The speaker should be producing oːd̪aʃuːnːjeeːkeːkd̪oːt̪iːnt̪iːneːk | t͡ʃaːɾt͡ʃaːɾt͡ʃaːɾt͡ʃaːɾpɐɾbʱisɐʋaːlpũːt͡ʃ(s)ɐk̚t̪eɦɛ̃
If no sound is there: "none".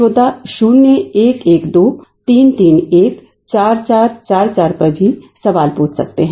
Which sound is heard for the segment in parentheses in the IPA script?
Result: s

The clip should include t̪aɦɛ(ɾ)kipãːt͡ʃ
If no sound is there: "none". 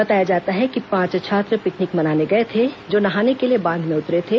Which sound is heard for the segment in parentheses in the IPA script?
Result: none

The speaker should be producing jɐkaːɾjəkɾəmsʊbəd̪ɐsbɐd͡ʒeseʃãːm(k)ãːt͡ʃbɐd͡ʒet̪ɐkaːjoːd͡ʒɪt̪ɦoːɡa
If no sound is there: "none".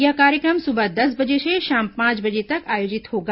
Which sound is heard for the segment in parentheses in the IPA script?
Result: p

